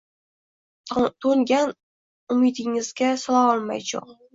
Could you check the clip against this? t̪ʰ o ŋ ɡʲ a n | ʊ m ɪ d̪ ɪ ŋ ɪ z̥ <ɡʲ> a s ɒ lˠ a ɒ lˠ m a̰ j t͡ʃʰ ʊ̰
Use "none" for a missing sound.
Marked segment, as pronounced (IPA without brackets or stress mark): ɡʲ